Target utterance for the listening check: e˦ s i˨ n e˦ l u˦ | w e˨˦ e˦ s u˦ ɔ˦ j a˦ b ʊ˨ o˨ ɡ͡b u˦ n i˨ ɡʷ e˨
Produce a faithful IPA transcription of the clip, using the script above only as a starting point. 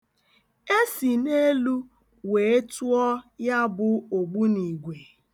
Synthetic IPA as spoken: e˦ s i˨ n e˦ l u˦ | w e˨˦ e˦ t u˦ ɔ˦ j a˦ b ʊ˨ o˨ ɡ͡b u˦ n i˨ ɡʷ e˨